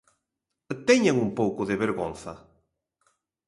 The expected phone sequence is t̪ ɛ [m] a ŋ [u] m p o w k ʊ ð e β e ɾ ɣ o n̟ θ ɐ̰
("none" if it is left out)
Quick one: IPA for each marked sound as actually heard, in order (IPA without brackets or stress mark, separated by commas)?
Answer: ɲ, u